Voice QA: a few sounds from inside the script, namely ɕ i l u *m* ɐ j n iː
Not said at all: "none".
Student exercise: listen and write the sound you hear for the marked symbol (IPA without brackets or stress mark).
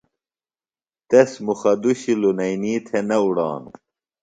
n